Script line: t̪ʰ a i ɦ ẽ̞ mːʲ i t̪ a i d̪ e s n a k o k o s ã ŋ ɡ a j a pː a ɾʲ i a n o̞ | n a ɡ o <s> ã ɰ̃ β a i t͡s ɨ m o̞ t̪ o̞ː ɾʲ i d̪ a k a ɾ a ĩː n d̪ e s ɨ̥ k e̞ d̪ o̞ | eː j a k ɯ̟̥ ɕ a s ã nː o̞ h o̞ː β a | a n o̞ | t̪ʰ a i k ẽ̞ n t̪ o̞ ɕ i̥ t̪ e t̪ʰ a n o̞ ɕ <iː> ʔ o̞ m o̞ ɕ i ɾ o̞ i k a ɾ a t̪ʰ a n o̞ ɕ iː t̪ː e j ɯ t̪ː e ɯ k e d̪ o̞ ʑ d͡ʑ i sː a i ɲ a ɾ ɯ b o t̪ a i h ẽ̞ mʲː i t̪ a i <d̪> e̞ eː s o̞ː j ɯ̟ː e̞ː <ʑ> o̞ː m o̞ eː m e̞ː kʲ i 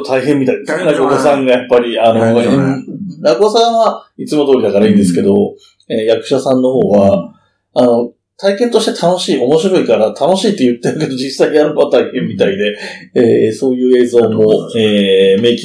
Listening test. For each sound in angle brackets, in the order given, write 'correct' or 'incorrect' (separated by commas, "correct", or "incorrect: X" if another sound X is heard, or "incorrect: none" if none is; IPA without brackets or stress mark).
correct, correct, correct, incorrect: z